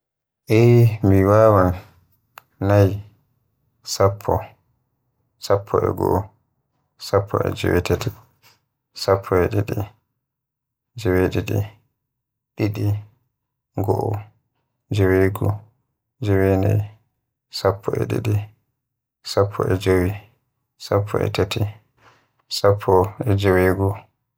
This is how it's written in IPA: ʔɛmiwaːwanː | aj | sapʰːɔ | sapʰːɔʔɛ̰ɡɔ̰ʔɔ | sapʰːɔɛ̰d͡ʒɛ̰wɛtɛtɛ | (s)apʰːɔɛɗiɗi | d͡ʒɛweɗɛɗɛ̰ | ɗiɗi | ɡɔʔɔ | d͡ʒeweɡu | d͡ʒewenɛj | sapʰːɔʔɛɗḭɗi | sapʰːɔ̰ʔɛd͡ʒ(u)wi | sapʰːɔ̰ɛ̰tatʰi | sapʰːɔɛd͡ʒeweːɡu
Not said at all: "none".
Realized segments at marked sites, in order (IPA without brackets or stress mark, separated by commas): s, o